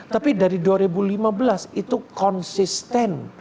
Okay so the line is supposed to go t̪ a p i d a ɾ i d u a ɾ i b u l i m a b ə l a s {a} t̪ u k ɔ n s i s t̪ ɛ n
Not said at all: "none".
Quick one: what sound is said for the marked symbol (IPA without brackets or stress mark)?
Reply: i